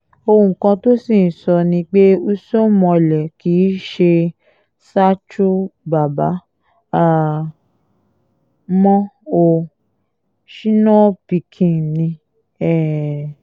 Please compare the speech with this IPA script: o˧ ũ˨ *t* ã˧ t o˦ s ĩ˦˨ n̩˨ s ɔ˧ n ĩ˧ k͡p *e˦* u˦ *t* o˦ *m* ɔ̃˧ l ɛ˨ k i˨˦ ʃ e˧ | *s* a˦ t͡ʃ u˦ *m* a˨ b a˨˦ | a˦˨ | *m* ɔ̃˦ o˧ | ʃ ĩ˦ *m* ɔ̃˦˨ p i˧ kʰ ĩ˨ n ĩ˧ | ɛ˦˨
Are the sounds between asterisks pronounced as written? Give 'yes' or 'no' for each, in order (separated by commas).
no, yes, no, yes, yes, no, yes, no